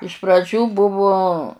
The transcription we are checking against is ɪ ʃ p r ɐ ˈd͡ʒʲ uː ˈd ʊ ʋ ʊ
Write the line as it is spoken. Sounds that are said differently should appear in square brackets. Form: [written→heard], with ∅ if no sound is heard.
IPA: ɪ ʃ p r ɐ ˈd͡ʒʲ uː [ˈd→ˈb] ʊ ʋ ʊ